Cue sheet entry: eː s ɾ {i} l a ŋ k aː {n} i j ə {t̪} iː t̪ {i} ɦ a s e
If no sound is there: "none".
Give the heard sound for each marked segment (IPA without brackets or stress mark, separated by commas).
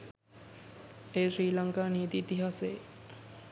iː, n, t̪, i